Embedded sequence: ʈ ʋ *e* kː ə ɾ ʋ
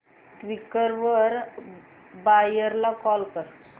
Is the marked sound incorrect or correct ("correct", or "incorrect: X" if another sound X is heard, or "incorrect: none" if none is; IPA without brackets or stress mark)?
incorrect: i